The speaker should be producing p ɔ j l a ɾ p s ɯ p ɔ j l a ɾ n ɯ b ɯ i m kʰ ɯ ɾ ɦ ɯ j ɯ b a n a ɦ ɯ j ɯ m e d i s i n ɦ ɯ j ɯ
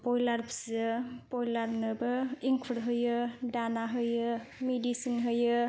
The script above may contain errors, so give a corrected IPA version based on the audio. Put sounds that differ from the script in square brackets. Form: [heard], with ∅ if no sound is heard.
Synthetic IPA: p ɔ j l a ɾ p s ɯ p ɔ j l a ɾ n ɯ b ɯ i [ŋ] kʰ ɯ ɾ ɦ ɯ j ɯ [d] a n a ɦ ɯ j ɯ m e d i s i n ɦ ɯ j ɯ